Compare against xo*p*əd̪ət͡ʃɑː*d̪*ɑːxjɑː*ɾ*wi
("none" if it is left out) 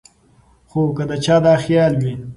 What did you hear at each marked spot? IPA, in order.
k, d̪, l

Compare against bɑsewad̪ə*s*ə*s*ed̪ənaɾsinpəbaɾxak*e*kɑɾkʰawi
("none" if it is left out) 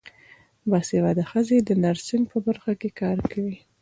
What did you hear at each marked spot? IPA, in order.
x, z, e

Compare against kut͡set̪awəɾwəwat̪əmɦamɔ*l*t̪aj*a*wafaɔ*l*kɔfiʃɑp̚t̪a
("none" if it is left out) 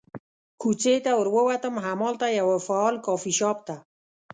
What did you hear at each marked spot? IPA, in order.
l, a, l

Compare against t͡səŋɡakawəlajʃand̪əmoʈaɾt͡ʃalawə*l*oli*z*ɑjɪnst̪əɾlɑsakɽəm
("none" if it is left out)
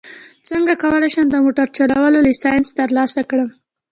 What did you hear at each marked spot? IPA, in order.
l, s

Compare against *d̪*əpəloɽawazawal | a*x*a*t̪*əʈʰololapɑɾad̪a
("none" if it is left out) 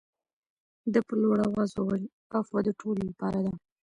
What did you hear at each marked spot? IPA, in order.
d̪, f, d̪

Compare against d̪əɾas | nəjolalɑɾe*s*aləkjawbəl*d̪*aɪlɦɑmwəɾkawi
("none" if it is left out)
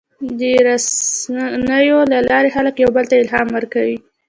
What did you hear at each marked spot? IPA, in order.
x, t̪

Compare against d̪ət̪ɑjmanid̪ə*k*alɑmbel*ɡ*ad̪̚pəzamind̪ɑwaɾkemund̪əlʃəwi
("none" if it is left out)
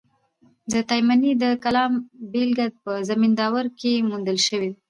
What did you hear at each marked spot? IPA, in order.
k, ɡ

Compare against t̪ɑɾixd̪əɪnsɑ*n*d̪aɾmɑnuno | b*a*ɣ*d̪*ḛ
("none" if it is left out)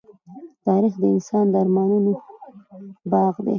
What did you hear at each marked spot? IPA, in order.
n, ɑ, d̪

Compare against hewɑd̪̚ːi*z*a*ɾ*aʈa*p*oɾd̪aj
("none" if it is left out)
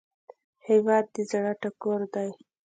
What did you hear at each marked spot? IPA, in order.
z, ɽ, k

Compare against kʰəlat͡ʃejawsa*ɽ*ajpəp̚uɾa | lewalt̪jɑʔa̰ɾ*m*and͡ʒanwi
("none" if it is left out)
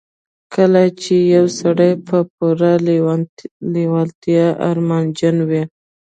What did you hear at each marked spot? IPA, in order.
ɽ, m

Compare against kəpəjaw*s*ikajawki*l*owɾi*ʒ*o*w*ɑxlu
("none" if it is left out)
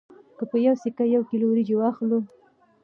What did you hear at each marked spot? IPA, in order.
s, l, d͡ʒ, w

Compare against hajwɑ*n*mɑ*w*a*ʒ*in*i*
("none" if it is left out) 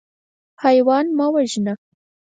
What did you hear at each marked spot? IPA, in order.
n, w, ʒ, a

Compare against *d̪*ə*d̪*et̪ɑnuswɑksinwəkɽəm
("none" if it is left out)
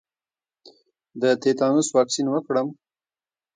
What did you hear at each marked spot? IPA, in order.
d̪, t̪

